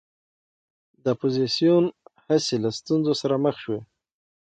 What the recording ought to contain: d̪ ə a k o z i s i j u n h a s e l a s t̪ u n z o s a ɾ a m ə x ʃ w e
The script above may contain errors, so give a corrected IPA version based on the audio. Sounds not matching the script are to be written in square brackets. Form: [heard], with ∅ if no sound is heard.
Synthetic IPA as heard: d̪ ə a [p] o z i s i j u n h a s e l a s t̪ u n z o s a ɾ a m ə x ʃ w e